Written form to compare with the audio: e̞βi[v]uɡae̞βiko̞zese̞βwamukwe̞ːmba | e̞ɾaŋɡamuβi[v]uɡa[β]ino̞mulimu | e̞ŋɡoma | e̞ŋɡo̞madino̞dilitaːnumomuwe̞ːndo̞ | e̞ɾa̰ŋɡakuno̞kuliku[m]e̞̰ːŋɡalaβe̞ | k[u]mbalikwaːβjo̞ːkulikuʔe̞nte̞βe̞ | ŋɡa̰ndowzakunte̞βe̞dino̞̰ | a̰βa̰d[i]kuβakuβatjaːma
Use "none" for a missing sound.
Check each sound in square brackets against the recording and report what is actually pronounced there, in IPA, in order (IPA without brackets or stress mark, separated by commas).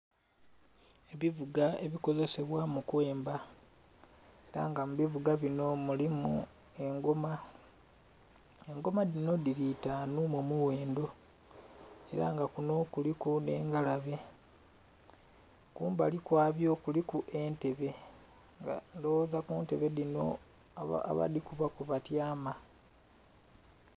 v, v, β, n, uː, i